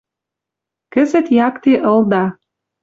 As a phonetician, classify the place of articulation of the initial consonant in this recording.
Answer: velar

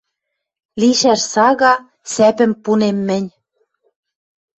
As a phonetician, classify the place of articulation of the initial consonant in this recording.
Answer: alveolar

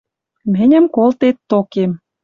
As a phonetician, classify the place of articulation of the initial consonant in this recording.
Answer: labial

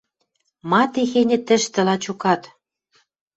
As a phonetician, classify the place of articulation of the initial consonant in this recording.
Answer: labial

